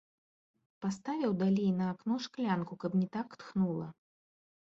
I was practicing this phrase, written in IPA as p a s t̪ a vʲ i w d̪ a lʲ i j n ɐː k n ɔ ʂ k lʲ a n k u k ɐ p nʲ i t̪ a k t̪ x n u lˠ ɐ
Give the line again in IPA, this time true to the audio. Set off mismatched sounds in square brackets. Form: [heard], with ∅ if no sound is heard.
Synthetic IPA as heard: p a s t̪ a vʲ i w d̪ a lʲ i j n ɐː k n ɔ ʂ k lʲ a n k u k ɐ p nʲ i t̪ a k t̪ x n u lˠ ɐ